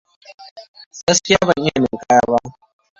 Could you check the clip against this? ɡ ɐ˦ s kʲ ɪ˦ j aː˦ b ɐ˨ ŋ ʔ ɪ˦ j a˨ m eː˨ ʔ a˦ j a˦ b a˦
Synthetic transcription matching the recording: ɡ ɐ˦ s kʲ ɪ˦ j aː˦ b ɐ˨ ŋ ʔ ɪ˦ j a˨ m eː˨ k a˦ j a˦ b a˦